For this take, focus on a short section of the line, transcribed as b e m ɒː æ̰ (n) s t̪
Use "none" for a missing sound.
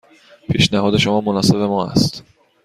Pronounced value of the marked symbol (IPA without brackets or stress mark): none